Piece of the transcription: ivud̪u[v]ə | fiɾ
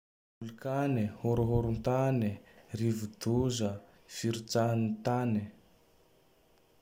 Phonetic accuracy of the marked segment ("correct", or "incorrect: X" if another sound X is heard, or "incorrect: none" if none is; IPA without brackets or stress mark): incorrect: z